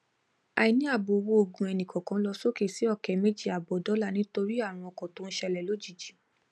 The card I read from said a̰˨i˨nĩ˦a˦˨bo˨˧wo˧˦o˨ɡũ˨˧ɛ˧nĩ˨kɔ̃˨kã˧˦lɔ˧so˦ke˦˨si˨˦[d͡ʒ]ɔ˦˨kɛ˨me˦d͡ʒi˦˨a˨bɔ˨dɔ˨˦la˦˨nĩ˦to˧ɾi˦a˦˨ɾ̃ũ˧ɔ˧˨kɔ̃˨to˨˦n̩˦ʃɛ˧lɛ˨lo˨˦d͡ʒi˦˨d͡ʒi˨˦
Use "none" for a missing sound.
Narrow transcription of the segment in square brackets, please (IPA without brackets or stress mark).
none